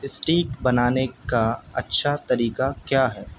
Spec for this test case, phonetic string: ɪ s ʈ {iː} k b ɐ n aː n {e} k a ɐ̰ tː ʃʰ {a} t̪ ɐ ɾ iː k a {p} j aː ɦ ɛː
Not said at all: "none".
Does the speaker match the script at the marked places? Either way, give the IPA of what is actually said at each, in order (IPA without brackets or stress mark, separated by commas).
iː, e, a, k